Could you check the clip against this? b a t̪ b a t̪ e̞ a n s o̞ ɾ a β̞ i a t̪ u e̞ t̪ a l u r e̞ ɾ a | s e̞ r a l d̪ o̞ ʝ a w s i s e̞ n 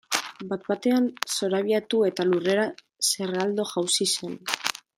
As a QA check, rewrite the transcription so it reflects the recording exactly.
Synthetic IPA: b a t̪ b a t̪ e̞ a n s o̞ ɾ a β̞ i a t̪ u e̞ t̪ a l u r e̞ ɾ a | s e̞ r a l d̪ o̞ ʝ a w s i s e̞ n